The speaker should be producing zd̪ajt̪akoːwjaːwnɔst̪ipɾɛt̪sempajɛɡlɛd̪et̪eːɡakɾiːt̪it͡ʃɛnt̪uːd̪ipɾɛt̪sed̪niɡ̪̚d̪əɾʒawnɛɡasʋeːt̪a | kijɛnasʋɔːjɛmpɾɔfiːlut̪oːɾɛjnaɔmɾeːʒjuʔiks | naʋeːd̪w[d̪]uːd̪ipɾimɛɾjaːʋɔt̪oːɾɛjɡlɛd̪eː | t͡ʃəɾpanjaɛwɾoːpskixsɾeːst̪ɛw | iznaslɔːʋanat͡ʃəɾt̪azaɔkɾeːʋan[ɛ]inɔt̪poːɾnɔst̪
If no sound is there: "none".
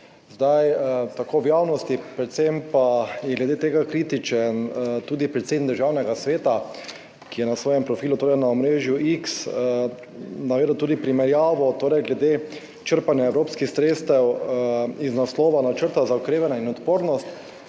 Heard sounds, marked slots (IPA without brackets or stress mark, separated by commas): t̪, a